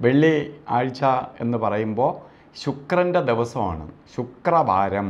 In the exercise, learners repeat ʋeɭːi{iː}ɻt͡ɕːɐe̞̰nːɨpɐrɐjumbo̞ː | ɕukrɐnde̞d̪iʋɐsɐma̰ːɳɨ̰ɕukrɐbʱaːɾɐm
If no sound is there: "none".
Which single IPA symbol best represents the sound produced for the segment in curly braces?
aː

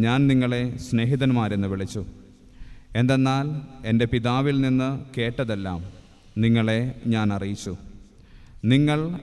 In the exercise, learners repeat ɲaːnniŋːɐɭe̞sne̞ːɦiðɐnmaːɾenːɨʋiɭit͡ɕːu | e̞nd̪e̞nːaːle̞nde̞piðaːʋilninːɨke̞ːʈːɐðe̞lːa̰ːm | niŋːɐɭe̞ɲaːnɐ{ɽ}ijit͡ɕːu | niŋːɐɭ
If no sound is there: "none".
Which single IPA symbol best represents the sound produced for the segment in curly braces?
r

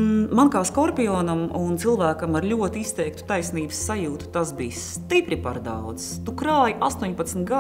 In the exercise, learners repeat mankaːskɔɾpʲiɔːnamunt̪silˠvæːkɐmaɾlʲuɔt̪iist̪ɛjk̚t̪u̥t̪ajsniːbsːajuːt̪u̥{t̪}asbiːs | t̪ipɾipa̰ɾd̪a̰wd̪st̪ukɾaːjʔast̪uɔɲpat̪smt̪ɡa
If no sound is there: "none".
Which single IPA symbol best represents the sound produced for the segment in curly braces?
t̪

